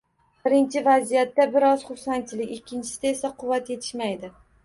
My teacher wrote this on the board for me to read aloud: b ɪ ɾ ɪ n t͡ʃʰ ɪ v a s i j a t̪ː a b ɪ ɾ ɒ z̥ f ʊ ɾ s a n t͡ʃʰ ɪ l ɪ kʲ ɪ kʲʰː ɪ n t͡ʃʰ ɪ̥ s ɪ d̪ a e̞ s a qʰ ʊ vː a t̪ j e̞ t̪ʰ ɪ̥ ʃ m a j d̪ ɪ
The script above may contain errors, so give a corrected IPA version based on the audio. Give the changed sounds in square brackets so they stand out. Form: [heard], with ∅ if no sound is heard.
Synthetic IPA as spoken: b ɪ ɾ ɪ n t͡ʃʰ ɪ v a [z] i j a t̪ː a b ɪ ɾ ɒ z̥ [χ] ʊ ɾ s a n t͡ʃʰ ɪ l ɪ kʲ ɪ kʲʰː ɪ n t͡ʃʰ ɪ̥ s ɪ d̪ a e̞ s a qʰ ʊ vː a t̪ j e̞ t̪ʰ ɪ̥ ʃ m a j d̪ ɪ